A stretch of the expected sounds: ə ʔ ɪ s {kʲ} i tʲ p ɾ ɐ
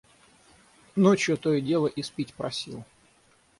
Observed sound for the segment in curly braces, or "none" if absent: pʲ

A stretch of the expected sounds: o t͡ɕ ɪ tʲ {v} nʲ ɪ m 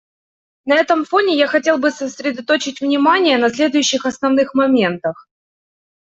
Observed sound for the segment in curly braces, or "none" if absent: v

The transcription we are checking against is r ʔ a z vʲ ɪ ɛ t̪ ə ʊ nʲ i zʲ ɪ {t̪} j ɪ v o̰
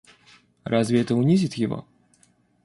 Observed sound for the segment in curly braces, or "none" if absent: t̪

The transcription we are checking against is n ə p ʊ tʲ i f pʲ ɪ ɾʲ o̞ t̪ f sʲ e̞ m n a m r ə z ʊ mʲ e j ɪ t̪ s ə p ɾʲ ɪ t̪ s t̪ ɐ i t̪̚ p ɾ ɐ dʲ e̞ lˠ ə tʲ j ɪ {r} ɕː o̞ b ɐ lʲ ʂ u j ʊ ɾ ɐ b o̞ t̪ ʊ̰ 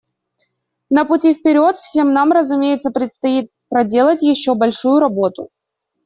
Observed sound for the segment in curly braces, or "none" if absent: none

